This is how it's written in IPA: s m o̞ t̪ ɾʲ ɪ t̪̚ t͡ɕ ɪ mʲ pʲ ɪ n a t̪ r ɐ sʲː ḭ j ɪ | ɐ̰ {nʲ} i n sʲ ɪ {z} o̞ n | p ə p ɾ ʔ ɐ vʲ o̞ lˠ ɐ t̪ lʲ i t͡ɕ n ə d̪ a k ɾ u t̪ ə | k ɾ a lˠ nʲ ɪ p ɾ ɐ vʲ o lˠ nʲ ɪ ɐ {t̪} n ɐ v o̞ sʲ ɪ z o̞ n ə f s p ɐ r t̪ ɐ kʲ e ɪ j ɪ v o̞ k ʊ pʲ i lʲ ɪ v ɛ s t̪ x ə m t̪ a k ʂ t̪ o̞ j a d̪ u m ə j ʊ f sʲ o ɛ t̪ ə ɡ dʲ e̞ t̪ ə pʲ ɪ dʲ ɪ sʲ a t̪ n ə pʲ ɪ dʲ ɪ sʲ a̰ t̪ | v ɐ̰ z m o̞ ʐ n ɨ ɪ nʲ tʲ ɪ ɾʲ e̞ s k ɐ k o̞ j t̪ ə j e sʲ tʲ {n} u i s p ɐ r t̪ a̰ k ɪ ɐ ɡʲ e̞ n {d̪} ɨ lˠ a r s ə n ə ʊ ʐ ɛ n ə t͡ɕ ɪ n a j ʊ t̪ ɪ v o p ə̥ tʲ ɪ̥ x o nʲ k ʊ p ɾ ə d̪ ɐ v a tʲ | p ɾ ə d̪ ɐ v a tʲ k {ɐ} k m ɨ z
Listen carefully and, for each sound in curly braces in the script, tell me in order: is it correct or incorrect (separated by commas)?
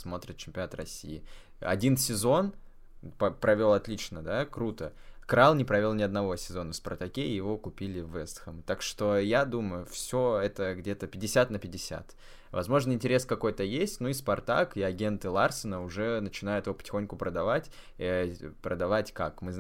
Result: incorrect, correct, incorrect, correct, incorrect, incorrect